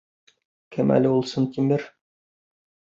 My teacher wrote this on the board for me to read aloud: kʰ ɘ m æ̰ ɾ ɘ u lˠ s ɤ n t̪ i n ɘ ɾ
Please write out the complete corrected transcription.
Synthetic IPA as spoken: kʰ ɘ m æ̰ l ɘ u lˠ s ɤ n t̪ i m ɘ ɾ